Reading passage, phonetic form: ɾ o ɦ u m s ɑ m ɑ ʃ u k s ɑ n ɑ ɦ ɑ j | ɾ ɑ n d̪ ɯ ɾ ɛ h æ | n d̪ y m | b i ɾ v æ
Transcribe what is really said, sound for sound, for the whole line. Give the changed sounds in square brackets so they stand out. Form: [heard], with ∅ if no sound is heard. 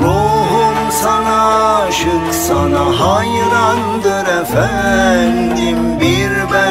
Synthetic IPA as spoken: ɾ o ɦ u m s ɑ [n] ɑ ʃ [ɯ] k s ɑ n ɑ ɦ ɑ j | ɾ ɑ n d̪ ɯ ɾ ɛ [f] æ | n d̪ [i] m | b i ɾ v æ